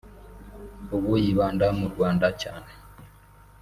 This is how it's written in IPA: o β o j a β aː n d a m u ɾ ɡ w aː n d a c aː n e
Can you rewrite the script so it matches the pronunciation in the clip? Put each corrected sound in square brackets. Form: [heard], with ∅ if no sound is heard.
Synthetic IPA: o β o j [i] β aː n d a m u ɾ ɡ w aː n d a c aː n e